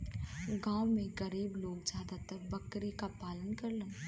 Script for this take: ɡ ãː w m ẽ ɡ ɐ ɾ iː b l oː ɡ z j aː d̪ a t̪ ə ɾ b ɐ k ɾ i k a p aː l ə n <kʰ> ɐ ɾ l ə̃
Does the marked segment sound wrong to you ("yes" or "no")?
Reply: yes